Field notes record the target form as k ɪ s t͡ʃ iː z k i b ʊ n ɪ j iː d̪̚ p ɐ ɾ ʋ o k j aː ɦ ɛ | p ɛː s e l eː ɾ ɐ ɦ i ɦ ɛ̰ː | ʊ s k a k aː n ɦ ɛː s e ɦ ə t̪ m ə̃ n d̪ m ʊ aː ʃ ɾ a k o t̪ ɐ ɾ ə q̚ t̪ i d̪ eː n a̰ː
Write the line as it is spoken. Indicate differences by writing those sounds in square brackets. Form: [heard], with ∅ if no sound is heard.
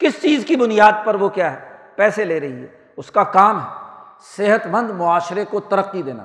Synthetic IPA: k ɪ s t͡ʃ iː z k i b ʊ n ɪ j [aː] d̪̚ p ɐ ɾ ʋ o k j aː ɦ ɛ | p ɛː s e l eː ɾ ɐ ɦ i ɦ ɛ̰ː | ʊ s k a k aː [m] ɦ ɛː s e ɦ ə t̪ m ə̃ n d̪ m ʊ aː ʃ ɾ [e] k o t̪ ɐ ɾ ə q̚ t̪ i d̪ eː n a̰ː